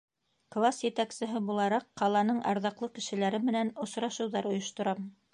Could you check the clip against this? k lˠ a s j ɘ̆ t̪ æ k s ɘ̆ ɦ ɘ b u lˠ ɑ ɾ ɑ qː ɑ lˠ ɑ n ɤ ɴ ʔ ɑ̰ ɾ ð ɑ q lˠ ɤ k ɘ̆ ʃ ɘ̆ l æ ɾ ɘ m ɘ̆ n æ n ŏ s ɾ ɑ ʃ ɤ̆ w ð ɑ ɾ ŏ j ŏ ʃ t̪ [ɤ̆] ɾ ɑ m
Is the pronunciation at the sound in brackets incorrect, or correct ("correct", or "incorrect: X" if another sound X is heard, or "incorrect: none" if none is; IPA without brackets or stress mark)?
incorrect: ŏ